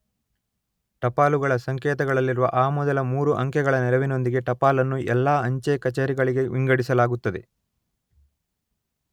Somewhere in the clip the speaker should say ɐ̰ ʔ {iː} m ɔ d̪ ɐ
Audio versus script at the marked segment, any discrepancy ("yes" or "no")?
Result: yes